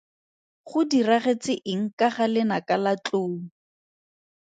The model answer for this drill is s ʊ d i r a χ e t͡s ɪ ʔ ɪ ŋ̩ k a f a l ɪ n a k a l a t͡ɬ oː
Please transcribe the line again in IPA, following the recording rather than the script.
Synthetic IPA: χ ʊ d i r a χ e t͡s ɪ ʔ ɪ ŋ̩ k a χ a l ɪ n a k a l a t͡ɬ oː